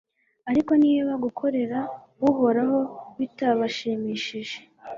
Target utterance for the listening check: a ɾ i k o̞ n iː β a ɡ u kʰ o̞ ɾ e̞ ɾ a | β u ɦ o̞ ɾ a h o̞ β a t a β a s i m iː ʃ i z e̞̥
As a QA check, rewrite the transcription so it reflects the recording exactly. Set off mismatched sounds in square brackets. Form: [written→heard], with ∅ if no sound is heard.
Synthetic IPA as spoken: a ɾ i k o̞ n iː β a ɡ u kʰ o̞ ɾ e̞ ɾ a | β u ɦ o̞ ɾ a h o̞ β [a→i] t a β a [s→ʃ] i m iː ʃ i [z→ʒ] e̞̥